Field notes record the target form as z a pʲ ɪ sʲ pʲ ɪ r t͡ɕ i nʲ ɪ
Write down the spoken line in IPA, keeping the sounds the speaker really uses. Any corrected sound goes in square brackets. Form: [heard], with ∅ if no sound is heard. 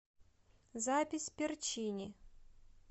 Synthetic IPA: z a pʲ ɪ sʲ pʲ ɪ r t͡ɕ i nʲ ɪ